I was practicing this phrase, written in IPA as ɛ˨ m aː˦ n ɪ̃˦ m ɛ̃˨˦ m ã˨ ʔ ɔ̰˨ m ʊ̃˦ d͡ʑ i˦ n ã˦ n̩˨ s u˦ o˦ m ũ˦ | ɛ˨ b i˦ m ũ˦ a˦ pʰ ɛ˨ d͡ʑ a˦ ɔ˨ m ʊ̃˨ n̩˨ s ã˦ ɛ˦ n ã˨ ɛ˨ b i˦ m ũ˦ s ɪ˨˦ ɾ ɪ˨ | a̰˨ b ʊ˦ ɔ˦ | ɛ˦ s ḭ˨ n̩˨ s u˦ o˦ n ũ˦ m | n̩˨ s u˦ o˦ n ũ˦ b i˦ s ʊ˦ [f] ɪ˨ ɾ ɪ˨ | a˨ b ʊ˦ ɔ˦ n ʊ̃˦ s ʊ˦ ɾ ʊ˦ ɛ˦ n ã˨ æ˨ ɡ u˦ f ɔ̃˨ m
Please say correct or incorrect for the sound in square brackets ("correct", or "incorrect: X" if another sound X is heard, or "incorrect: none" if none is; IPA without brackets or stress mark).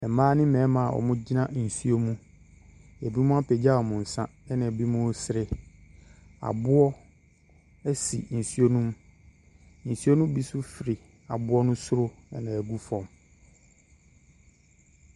correct